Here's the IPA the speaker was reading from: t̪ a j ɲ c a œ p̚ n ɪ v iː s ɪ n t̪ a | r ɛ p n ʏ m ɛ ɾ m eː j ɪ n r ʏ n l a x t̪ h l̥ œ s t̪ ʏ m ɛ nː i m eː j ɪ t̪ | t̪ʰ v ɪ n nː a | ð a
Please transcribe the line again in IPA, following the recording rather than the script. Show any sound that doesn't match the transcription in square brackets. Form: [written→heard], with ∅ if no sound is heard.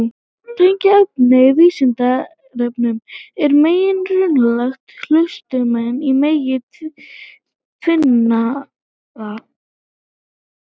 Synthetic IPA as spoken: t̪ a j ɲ c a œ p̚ n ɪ v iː s ɪ n t̪ a | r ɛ p n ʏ m ɛ ɾ m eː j ɪ n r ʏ n l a x t̪ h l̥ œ s t̪ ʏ m ɛ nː i m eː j ɪ t̪ | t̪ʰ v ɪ n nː a | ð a